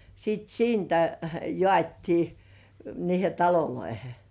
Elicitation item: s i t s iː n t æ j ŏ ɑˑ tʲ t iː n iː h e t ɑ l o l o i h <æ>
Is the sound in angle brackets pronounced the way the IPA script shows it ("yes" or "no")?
no